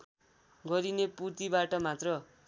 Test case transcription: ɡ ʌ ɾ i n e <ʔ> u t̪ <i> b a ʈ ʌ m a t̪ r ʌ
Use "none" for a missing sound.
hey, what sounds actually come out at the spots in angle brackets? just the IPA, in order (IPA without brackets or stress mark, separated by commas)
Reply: p, i